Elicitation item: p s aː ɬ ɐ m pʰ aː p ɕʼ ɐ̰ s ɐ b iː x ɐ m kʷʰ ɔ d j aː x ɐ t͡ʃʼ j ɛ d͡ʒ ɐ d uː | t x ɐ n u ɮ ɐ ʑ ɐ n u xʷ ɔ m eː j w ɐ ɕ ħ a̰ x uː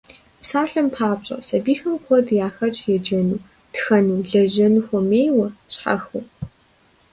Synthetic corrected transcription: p s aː ɬ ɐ m pʰ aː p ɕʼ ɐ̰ s ɐ b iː x ɐ m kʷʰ ɔ d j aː x ɐ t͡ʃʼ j ɛ d͡ʒ ɐ n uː | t x ɐ n u ɮ ɐ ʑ ɐ n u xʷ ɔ m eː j w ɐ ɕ ħ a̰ x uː